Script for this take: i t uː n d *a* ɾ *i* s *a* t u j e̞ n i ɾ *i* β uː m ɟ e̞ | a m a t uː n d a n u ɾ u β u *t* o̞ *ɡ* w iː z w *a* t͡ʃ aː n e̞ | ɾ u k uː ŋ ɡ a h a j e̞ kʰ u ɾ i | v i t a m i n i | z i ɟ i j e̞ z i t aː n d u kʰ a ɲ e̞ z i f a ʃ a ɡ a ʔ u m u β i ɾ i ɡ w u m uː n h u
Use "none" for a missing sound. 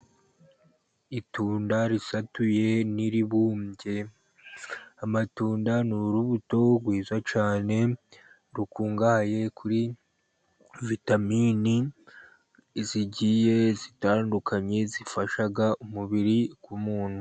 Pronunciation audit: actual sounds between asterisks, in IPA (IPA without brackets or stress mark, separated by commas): a, i, a, i, t, ɡ, a